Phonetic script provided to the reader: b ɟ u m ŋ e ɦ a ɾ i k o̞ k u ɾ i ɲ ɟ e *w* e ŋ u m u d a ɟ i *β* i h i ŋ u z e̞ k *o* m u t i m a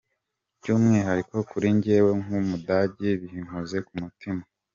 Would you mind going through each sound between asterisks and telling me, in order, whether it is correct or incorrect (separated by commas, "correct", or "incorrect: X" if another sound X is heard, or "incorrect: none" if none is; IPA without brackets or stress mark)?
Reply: correct, correct, incorrect: u